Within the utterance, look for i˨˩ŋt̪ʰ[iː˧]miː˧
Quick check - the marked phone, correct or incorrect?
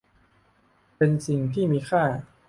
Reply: incorrect